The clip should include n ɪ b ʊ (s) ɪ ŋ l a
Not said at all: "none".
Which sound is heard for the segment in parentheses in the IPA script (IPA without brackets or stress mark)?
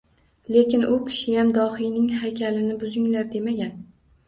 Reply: z